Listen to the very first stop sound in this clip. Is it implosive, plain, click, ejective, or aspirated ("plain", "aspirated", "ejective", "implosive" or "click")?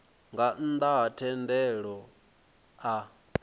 plain